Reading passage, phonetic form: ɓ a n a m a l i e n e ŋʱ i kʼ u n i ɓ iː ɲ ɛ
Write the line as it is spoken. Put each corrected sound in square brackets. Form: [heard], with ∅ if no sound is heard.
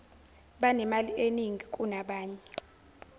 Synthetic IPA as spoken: ɓ a n [ɛ] m a l i e n [i] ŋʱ i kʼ u n [a] ɓ [aː] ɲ ɛ

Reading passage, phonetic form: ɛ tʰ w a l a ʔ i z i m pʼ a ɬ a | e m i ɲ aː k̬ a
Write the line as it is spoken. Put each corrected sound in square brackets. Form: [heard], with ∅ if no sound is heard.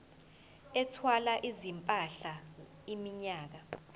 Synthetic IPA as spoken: ɛ tʰ w a l a ʔ i z i m pʼ a ɬ a | [i] m i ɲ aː k̬ a

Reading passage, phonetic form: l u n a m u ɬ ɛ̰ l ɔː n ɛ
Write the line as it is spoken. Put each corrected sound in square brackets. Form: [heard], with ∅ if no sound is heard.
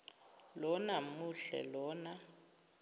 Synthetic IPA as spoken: l [ɔ] n a m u ɬ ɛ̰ l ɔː n [a]

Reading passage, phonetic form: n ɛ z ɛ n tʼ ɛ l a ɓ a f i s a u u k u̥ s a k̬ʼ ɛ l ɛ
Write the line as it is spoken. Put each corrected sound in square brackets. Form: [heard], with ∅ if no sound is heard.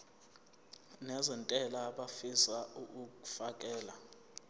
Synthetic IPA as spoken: n ɛ z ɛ n tʼ ɛ l a ɓ a f i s a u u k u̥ [f] a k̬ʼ [ɛː] l [a]

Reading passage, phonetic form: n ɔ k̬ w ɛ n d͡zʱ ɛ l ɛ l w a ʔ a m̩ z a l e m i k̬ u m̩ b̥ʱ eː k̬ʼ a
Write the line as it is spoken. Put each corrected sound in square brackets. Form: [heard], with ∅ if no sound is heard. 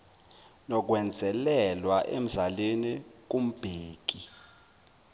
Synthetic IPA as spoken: n ɔ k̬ w ɛ n d͡zʱ ɛ l ɛ l w a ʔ [e] m̩ z a l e [n] i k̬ u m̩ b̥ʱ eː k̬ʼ [i]

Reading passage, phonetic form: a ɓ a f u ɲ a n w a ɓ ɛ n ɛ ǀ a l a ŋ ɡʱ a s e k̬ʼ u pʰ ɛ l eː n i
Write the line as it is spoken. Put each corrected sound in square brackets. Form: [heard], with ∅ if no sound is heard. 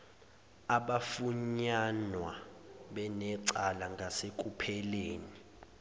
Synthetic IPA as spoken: a ɓ a f u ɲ a n w a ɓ ɛ n ɛ ǀ a l a ŋ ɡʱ a s e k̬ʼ u pʰ ɛ l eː n i

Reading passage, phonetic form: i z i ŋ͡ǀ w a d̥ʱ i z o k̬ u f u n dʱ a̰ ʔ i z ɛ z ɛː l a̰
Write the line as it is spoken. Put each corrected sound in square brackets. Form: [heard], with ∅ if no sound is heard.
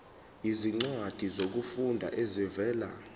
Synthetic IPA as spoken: i z i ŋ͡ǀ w a d̥ʱ i z o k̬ u f u n dʱ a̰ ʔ [e] z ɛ [v] ɛː l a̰

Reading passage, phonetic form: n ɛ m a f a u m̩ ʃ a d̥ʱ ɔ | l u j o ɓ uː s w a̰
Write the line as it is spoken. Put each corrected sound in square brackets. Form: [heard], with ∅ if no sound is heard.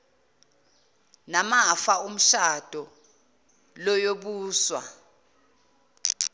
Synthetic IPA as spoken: n [a] m a f a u m̩ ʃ a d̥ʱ ɔ | l [ɔ] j o ɓ uː s w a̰

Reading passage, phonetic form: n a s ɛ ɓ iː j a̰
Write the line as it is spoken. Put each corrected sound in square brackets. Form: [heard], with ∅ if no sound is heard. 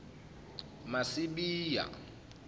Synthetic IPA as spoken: [m] a s [i] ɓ iː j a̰

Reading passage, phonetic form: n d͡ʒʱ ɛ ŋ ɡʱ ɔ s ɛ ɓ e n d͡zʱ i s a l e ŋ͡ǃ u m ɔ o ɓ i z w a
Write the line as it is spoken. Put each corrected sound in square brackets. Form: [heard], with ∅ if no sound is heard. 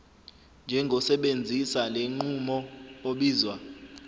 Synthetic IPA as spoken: n d͡ʒʱ ɛ ŋ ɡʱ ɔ s ɛ ɓ e n d͡zʱ i s a l e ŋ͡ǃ u m ɔ o ɓ [iː] z w a

